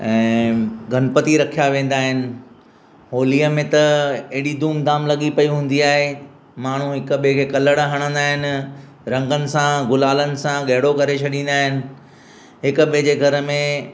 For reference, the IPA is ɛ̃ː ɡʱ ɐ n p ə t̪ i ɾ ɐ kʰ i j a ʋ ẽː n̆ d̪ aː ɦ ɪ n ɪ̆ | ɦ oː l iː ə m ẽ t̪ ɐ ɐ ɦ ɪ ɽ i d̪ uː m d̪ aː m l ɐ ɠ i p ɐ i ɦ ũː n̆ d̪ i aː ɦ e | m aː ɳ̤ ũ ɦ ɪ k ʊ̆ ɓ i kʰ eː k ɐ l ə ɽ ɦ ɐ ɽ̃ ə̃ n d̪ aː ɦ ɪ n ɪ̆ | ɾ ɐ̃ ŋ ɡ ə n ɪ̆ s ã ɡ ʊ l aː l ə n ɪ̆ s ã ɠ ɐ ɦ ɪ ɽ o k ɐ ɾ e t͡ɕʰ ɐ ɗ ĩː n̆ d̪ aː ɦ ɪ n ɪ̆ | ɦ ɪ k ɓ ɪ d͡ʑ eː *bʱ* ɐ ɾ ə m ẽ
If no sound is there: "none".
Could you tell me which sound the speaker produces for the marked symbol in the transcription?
ɡʱ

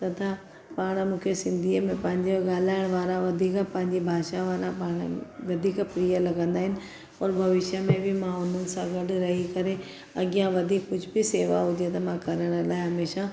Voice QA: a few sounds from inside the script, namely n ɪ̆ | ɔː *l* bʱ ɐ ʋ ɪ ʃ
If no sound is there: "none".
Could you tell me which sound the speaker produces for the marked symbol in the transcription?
ɾ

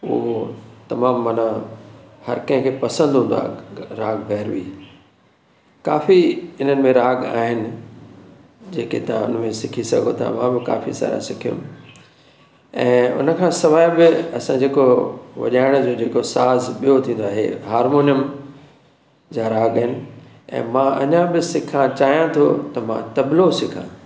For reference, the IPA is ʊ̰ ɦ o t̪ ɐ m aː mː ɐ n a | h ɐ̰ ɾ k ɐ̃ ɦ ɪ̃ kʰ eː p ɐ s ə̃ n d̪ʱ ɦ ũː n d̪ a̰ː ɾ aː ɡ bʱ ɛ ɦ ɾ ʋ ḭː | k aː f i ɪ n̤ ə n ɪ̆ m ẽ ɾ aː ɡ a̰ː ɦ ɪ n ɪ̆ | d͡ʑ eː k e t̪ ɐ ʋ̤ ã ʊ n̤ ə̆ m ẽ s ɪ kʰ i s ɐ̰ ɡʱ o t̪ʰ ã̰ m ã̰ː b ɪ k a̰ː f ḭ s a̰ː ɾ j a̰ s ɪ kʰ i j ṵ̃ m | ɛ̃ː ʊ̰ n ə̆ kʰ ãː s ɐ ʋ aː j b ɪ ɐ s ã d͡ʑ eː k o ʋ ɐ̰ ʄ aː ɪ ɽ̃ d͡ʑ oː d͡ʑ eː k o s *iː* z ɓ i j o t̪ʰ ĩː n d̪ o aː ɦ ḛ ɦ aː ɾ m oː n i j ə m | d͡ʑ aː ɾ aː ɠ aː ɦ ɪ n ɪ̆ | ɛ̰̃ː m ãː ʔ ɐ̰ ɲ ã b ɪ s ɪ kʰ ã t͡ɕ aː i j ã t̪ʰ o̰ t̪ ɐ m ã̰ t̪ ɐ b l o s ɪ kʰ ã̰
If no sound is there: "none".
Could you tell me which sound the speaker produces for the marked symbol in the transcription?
aː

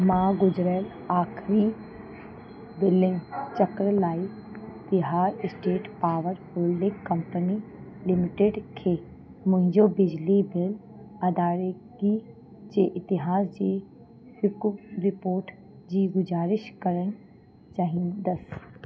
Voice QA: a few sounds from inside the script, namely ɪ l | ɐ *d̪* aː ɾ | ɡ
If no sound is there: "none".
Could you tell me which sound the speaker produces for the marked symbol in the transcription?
d̪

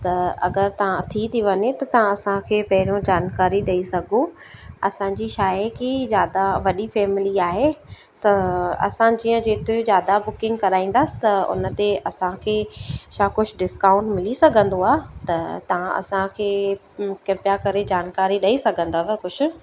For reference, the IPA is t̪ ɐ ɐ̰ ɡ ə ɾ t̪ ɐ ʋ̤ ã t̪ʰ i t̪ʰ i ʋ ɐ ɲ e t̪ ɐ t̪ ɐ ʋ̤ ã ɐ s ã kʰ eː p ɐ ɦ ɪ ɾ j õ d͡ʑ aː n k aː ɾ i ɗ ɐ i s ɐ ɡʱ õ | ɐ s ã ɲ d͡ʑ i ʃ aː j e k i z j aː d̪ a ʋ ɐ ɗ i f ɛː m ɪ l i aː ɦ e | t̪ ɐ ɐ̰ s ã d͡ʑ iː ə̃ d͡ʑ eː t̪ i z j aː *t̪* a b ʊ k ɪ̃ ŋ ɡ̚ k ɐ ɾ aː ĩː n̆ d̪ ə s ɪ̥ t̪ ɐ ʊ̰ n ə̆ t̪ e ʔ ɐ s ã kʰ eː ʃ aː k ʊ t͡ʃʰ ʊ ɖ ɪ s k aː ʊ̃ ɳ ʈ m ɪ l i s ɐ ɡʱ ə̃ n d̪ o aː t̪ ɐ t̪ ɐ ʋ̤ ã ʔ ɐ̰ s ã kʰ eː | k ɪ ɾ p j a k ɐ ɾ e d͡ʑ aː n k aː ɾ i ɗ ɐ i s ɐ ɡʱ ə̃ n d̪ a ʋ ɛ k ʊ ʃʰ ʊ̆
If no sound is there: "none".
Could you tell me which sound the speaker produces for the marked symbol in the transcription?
d̪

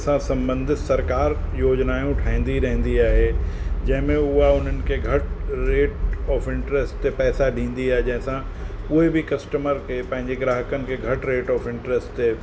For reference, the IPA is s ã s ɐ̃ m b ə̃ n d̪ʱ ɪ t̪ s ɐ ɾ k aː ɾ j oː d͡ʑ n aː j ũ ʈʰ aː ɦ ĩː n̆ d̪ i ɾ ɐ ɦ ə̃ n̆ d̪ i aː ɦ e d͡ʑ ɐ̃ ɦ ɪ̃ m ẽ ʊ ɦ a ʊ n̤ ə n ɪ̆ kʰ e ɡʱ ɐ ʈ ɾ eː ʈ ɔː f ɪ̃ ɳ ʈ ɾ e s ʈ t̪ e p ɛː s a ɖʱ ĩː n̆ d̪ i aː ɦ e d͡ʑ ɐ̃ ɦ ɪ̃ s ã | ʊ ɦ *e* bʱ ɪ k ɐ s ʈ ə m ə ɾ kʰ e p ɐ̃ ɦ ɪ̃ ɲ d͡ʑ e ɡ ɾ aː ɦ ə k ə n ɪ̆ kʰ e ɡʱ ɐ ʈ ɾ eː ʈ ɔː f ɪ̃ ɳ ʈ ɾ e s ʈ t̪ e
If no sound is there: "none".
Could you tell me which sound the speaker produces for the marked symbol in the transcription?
e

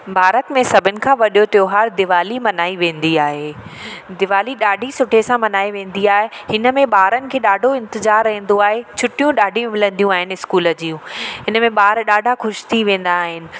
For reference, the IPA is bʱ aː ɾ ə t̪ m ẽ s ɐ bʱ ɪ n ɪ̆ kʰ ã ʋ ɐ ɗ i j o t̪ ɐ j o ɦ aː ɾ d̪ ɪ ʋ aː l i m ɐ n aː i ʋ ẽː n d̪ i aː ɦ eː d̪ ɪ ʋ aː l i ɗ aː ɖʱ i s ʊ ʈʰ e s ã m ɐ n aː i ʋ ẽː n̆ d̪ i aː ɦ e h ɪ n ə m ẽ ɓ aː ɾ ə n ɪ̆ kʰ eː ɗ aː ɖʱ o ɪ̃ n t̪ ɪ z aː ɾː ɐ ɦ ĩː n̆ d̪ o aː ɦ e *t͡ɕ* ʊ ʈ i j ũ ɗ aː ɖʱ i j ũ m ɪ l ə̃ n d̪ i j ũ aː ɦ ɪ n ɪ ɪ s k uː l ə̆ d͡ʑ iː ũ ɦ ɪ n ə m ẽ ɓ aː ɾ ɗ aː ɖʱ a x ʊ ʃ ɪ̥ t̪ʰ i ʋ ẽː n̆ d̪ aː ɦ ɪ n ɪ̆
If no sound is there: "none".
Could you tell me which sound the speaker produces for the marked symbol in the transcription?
t͡ɕʰ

